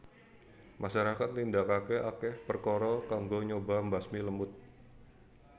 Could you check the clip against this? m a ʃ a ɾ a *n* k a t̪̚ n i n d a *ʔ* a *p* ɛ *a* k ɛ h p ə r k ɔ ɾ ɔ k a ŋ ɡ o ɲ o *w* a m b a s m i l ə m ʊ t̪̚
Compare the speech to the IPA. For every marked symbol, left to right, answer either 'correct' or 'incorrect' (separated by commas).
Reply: incorrect, incorrect, incorrect, correct, incorrect